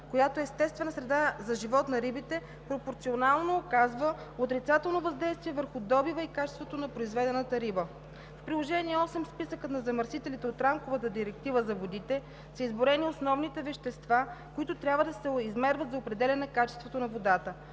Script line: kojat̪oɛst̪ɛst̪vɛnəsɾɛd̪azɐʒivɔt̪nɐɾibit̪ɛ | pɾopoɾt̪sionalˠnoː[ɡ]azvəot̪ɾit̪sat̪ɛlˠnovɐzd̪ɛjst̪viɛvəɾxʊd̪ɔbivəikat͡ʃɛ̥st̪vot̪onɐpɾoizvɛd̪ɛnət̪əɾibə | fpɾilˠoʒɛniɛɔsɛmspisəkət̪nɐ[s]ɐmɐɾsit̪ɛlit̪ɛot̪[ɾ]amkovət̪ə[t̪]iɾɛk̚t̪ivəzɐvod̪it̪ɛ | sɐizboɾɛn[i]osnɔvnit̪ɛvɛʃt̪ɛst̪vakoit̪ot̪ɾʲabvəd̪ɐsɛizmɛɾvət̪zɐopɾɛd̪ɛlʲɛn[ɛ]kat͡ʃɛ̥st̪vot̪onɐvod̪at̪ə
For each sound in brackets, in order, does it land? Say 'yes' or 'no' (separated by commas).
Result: no, no, yes, no, yes, yes